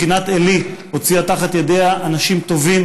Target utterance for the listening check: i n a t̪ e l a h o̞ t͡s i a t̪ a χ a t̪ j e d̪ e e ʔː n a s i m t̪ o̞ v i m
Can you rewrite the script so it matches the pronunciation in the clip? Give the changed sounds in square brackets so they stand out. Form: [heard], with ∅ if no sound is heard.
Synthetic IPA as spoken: i n a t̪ e l [i] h o̞ t͡s i a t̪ a χ a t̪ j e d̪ e [a] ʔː n a [ʃ] i m t̪ o̞ v i m